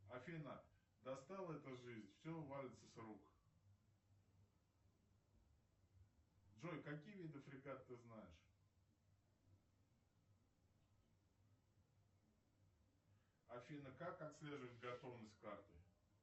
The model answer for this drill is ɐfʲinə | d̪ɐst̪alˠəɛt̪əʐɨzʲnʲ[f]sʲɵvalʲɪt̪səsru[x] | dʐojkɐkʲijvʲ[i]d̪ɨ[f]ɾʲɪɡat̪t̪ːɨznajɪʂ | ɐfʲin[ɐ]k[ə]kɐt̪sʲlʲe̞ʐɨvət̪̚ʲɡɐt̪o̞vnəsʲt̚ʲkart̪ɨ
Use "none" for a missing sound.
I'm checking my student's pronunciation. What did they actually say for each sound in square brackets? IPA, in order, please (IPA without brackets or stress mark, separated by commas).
f, k, i, f, ə, a